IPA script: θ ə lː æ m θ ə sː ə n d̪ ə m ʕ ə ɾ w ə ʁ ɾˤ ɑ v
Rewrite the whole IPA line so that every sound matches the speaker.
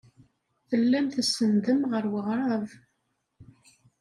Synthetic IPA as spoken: θ ə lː æ m θ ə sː ə n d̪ ə m ʁ ə ɾ w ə ʁ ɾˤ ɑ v